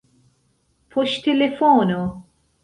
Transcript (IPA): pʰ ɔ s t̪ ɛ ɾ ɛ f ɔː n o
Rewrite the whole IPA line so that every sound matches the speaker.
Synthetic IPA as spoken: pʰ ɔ ʃ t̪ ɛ l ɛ f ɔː n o